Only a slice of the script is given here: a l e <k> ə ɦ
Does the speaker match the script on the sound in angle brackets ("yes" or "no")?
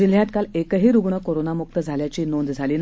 yes